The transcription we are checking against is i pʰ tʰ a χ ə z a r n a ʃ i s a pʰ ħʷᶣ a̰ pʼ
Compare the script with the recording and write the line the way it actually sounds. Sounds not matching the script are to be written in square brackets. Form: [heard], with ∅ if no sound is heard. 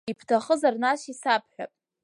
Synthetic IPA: i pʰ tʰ a χ ə z a r n a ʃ i s a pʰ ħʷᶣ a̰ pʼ